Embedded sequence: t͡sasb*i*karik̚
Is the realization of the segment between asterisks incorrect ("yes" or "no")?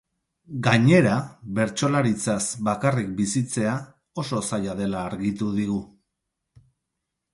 yes